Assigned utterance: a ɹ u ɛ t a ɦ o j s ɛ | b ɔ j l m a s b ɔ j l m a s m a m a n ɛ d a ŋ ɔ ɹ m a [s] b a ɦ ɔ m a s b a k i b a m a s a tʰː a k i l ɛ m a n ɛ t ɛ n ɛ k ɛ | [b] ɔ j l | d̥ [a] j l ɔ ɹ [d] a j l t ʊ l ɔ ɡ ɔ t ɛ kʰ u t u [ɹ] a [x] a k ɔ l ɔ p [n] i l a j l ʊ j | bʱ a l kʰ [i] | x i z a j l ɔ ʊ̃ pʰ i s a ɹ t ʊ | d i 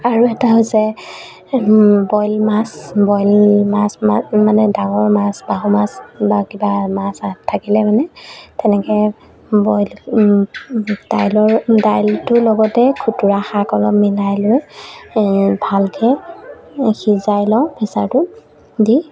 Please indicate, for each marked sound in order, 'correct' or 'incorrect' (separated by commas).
correct, correct, correct, correct, correct, correct, incorrect, incorrect